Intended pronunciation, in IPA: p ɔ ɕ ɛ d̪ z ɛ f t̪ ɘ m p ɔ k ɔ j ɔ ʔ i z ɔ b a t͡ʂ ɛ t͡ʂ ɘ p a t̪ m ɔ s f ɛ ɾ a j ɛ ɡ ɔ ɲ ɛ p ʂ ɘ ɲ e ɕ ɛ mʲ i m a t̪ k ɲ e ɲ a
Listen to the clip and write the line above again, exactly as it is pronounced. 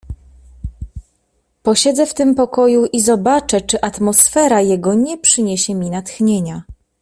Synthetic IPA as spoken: p ɔ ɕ ɛ d̪ z ɛ f t̪ ɘ m p ɔ k ɔ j u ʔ i z ɔ b a t͡ʂ ɛ t͡ʂ ɘ ʔ a t̪ m ɔ s f ɛ ɾ a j ɛ ɡ ɔ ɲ ɛ p ʂ ɘ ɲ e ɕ ɛ mʲ i n a t̪ x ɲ e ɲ a